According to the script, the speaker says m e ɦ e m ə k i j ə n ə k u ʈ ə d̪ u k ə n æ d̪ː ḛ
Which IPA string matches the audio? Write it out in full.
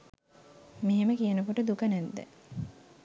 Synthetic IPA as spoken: m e ɦ e m ə k i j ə n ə k o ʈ ə d̪ u k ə n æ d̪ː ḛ